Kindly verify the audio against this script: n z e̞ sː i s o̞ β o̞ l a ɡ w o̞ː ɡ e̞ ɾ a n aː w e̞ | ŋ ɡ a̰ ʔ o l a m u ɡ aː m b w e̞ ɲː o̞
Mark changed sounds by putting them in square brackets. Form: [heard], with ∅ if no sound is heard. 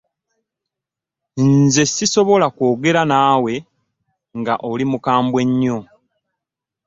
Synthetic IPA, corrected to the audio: n z e̞ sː i s o̞ β o̞ l a [k] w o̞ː ɡ e̞ ɾ a n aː w e̞ | ŋ ɡ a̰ ʔ o l [i] m u [k] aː m b w e̞ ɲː o̞

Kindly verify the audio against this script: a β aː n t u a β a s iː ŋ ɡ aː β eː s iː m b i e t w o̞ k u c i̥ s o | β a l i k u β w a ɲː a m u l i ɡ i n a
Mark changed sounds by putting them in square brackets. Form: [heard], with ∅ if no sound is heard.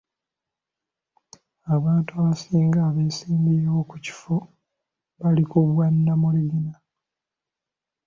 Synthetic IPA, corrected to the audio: a β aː n t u a β a s iː ŋ ɡ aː β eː s iː m b i e [∅] w o̞ k u c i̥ [f] o | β a l i k u β w a [nː] a m u l i ɡ i n a

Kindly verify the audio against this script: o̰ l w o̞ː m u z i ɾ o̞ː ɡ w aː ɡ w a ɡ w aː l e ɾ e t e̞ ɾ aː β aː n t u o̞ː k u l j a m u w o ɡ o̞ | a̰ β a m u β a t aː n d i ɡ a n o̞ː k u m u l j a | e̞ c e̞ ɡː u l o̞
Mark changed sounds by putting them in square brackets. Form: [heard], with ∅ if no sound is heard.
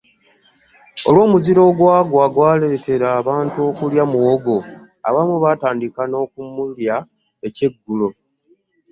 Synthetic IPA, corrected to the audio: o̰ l w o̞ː m u z i ɾ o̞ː ɡ w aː ɡ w a ɡ w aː l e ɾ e t e̞ ɾ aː β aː n t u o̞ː k u l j a m u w o ɡ o̞ | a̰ β a m u β a t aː n d i [k] a n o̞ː k u m u l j a | e̞ c e̞ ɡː u l o̞

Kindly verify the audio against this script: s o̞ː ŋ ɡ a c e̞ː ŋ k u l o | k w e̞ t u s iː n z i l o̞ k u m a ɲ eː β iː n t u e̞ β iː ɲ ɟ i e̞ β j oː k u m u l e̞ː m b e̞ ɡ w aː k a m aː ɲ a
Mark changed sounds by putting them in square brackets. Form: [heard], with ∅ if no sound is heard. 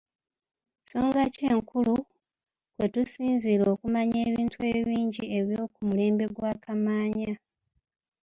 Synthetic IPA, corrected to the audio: s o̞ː ŋ ɡ a c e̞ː ŋ k u l [u] | k w e̞ t u s iː n z i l o̞ k u m a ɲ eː β iː n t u e̞ β iː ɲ ɟ i e̞ β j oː k u m u l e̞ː m b e̞ ɡ w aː k a m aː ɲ a

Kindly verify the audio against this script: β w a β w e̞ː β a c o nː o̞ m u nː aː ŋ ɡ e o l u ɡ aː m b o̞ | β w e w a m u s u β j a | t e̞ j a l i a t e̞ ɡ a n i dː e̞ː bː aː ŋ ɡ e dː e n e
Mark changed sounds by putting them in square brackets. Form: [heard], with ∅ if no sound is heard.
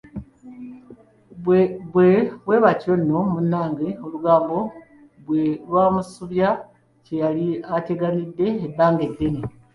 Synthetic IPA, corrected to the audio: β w [e] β w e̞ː β a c o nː o̞ m u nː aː ŋ ɡ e o l u ɡ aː m b o̞ | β w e w a m u s u β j a | [c] e̞ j a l i a t e̞ ɡ a n i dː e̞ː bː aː ŋ ɡ e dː e n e

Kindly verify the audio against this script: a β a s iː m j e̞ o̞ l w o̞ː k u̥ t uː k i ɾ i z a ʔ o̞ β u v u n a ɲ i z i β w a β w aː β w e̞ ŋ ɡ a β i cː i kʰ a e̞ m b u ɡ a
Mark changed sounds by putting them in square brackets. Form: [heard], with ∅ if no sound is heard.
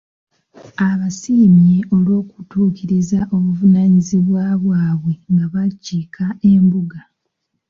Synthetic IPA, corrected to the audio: a β a s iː m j e̞ o̞ l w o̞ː k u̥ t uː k i ɾ i z a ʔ o̞ β u v u n a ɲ i z i β w a β w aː β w e̞ ŋ ɡ a β [a] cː i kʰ a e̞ m b u ɡ a

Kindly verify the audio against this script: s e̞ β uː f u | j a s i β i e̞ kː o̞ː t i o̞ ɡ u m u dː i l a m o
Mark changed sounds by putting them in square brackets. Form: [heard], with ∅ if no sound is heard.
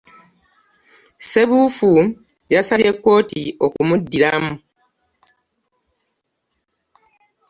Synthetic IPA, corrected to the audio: s e̞ β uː f u | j a s [a] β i e̞ kː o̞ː t i o̞ [k] u m u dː i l a m [u]

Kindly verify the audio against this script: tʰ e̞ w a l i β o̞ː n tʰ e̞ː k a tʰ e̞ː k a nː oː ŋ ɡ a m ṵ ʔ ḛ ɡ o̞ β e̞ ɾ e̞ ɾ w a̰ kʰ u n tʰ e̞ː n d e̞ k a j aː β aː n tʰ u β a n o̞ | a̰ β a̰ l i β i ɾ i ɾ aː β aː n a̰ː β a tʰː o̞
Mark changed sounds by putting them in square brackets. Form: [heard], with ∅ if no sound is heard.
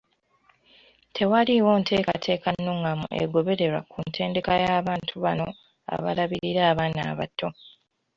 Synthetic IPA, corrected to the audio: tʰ e̞ w a l i [w] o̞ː n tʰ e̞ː k a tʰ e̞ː k a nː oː ŋ ɡ a m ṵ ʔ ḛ ɡ o̞ β e̞ ɾ e̞ ɾ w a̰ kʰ u n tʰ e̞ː n d e̞ k a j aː β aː n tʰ u β a n o̞ | a̰ β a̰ l [a] β i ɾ i ɾ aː β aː n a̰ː β a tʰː o̞

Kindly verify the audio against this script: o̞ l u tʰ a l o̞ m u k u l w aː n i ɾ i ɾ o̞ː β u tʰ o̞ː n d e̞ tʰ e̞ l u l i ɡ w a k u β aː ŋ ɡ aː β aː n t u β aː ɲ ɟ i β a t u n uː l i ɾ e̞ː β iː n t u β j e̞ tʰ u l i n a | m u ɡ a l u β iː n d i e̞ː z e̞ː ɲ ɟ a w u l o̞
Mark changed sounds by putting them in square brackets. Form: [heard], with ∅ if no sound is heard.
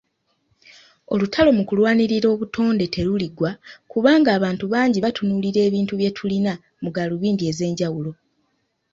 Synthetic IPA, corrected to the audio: o̞ l u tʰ a l o̞ m u k u l w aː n i ɾ i ɾ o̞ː β u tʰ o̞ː n d e̞ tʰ e̞ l u l i ɡ w a k u β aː ŋ ɡ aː β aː n t u β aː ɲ ɟ i β a t u n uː l i ɾ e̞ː β iː n t u β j e̞ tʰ u l i n a | m u ɡ a l u β iː n d i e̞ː z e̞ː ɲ ɟ a w u l o̞

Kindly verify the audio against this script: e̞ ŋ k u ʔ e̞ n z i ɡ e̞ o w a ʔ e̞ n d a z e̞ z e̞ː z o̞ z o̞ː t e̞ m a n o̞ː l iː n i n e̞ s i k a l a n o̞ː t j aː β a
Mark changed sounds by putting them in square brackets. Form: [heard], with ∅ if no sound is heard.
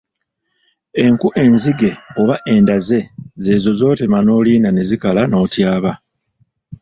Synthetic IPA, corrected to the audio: e̞ ŋ k u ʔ e̞ n z i ɡ e̞ o [β] a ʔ e̞ n d a z e̞ z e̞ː z o̞ z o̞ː t e̞ m a n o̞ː l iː n [a] n e̞ [z] i k a l a n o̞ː t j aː β a

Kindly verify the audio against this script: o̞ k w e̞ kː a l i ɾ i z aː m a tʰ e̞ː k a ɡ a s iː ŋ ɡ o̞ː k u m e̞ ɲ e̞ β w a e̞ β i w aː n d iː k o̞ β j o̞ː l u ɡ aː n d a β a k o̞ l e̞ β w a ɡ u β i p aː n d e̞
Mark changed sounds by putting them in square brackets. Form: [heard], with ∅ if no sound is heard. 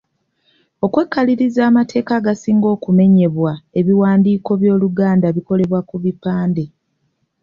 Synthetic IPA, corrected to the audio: o̞ k w e̞ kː a l i ɾ i z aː m a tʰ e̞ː k a ɡ a s iː ŋ ɡ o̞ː k u m e̞ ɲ e̞ β w a e̞ β i w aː n d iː k o̞ β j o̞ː l u ɡ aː n d a β [i] k o̞ l e̞ β w a [k] u β i p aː n d e̞

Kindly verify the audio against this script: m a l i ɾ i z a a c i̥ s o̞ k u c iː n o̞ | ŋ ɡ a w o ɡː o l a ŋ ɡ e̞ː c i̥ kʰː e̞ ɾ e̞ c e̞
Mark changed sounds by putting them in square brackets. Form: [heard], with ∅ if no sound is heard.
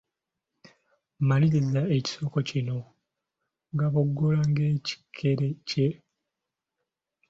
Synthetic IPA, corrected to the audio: m a l i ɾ i z a [e] c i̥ s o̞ k [o] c [i] n o̞ | ŋ ɡ a [β] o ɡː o l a ŋ ɡ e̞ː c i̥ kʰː e̞ ɾ e̞ c e̞

